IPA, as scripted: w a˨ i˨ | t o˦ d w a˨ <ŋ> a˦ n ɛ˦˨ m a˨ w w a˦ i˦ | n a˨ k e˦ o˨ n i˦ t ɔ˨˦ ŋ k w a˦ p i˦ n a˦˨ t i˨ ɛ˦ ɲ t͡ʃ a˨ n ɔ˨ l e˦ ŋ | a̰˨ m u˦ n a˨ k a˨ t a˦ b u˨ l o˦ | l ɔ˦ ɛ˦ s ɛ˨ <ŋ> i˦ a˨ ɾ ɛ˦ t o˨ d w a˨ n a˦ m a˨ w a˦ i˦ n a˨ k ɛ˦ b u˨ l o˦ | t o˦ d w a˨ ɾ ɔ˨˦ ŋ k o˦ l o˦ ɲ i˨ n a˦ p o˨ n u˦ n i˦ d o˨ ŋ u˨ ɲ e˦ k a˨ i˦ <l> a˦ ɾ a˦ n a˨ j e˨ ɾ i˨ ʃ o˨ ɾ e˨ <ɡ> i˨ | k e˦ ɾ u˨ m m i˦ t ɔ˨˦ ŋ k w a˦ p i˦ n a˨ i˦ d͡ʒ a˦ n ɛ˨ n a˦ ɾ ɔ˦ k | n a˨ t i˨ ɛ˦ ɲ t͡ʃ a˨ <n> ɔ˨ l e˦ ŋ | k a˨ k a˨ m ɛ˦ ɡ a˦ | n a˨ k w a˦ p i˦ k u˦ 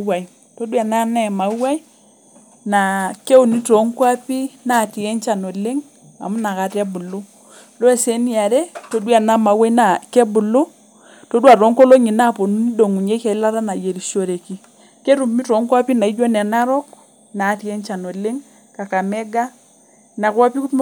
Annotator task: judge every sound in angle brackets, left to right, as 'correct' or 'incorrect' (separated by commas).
incorrect, incorrect, correct, incorrect, correct